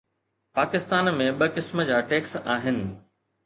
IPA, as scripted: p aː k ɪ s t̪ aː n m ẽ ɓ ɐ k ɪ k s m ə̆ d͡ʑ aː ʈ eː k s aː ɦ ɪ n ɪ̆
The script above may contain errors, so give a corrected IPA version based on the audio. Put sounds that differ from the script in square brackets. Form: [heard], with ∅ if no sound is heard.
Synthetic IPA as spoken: p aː k ɪ s t̪ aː n m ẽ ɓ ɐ k ɪ [∅] s m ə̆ d͡ʑ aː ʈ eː k s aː ɦ ɪ n ɪ̆